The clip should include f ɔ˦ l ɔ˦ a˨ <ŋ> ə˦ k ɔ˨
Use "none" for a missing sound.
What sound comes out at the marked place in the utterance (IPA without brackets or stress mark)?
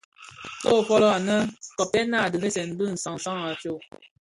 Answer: n